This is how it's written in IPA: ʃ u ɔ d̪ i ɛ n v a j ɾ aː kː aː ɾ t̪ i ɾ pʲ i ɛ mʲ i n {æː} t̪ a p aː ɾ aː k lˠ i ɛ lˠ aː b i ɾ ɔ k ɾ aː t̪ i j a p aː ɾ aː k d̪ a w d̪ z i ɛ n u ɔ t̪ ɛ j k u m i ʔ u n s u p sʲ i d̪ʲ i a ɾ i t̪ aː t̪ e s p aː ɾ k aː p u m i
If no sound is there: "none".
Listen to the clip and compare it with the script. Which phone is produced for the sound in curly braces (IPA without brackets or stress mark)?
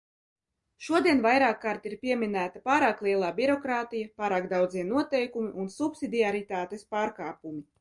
æː